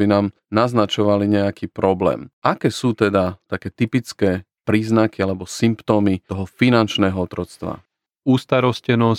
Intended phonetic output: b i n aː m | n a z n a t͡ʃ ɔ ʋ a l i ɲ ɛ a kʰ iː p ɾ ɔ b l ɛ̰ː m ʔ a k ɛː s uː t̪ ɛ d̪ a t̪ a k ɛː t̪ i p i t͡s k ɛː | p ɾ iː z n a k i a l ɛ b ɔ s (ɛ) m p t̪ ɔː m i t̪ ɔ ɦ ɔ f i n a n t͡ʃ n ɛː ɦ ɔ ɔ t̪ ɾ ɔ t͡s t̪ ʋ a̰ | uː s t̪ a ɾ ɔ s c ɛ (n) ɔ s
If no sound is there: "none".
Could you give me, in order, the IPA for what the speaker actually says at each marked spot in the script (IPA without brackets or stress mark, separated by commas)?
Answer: i, n